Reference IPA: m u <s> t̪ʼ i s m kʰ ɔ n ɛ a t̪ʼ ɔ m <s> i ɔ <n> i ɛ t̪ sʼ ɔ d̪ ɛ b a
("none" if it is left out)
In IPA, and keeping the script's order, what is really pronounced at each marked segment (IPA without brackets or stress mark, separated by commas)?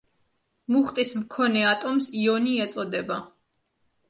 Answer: χ, s, n